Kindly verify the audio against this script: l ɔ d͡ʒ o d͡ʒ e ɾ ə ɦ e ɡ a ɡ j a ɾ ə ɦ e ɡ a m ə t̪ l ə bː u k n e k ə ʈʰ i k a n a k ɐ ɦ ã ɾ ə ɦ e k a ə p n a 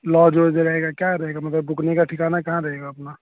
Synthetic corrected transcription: l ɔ d͡ʒ o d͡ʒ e ɾ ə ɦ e ɡ a k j a ɾ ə ɦ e ɡ a m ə t̪ l ə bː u k n e k a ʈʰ i k a n a k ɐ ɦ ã ɾ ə ɦ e ɡ a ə p n a